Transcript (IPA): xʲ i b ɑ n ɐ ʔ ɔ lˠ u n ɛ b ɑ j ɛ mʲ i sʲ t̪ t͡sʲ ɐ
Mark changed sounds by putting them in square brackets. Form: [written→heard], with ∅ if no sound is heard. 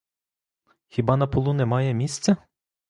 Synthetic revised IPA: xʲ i b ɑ n ɐ [ʔ→p] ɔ lˠ u n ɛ [b→m] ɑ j ɛ mʲ i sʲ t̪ t͡sʲ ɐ